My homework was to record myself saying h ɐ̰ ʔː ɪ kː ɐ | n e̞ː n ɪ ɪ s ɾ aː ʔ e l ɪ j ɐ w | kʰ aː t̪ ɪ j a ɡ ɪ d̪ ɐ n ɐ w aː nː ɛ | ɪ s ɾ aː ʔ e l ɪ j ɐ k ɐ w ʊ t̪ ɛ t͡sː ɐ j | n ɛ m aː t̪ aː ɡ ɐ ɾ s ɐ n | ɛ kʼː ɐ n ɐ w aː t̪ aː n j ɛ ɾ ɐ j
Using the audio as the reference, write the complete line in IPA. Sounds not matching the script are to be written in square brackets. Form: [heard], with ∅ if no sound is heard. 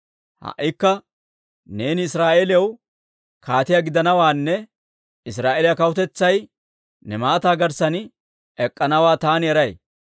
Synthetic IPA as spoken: h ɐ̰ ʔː ɪ kː ɐ | n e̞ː n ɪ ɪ s ɾ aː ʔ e l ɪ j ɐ w | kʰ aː t̪ ɪ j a ɡ ɪ d̪ ɐ n ɐ w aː nː ɛ | ɪ s ɾ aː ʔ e l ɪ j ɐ k ɐ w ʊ t̪ ɛ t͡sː ɐ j | n ɛ m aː t̪ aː ɡ ɐ ɾ s ɐ n | ɛ kʼː ɐ n ɐ w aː t̪ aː n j ɛ ɾ ɐ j